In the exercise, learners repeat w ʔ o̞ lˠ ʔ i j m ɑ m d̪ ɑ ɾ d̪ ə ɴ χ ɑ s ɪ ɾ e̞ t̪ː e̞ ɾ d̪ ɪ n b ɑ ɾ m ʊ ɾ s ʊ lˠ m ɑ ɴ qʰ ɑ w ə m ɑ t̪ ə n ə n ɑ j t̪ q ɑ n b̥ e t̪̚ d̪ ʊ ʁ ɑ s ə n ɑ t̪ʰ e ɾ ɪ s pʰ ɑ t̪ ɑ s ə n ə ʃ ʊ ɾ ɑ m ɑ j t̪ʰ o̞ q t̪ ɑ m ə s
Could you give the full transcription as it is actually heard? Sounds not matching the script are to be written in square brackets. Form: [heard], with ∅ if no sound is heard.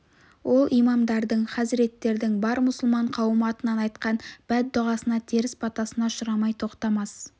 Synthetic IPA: w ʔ o̞ lˠ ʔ i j m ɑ m d̪ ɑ ɾ d̪ ə ɴ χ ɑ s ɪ ɾ e̞ t̪ː e̞ ɾ d̪ ɪ [ŋ] b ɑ ɾ m ʊ [∅] s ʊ lˠ m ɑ ɴ qʰ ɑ w ə m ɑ t̪ ə n [ɑ] n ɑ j t̪ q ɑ n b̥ [æ] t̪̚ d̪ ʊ ʁ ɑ s ə n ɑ t̪ʰ e ɾ ɪ s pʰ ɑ t̪ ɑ s ə n [ɑ] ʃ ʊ ɾ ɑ m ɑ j t̪ʰ o̞ q t̪ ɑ m [ɑ] s